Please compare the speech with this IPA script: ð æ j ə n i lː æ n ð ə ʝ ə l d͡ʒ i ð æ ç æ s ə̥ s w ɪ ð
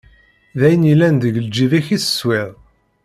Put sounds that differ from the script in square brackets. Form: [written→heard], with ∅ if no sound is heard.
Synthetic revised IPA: ð æ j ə n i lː æ n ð ə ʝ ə l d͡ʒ i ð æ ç [æ→i] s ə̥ s w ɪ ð